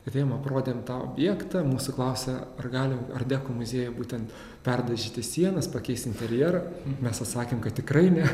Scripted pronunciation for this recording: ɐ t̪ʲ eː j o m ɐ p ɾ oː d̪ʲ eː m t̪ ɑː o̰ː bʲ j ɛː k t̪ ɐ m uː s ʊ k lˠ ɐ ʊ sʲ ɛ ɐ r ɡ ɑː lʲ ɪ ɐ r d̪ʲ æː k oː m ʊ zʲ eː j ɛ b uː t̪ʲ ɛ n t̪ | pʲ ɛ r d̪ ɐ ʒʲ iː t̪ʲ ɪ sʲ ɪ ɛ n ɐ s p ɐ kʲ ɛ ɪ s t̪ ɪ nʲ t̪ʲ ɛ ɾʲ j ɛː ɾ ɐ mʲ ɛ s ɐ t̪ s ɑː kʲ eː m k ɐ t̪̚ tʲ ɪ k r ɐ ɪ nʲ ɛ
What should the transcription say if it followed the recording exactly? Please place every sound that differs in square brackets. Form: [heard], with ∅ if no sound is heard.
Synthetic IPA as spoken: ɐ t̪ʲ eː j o m ɐ p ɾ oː d̪ʲ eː m t̪ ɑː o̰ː bʲ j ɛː k t̪ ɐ m uː s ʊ k lˠ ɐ ʊ sʲ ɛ ɐ r ɡ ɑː lʲ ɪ ɐ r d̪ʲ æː k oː m ʊ zʲ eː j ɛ b uː t̪ʲ ɛ n t̪ | pʲ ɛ r d̪ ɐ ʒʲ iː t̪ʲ ɪ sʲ [i] ɛ n ɐ s p ɐ kʲ ɛ ɪ s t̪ ɪ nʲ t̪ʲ ɛ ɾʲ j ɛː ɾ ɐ mʲ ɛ s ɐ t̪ s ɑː kʲ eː m k ɐ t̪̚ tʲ ɪ k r ɐ ɪ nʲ ɛ